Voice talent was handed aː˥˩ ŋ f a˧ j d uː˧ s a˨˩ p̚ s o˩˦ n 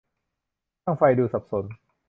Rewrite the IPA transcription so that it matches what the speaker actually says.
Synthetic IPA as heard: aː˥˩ ŋ f a˧ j d uː˧ s a˨˩ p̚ s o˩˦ n